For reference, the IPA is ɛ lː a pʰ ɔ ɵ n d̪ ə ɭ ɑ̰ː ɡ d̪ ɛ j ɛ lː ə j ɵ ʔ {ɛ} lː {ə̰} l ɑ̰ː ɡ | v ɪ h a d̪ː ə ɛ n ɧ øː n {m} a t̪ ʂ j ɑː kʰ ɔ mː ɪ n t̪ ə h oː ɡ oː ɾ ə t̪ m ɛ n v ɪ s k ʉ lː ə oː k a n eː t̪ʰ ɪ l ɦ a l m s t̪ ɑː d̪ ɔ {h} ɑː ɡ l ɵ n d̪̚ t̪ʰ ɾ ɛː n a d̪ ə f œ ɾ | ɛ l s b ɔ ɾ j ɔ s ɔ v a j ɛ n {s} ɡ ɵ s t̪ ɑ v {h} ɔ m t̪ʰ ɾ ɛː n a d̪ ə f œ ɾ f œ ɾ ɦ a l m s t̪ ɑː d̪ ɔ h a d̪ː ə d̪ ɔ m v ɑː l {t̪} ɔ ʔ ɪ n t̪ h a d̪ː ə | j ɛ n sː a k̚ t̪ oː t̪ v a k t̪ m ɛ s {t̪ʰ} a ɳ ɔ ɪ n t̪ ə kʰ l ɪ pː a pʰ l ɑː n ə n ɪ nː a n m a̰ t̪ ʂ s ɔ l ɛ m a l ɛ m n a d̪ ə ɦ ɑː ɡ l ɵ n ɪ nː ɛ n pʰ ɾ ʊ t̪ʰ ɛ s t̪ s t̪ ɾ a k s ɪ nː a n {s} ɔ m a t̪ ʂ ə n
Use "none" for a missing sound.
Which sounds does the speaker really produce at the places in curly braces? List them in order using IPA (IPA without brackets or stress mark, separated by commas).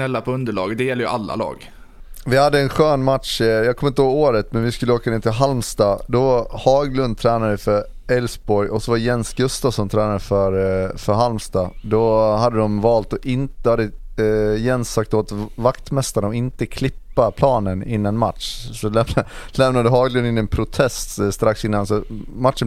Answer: a, a̰, m, h, s, s, t̪, t̪, s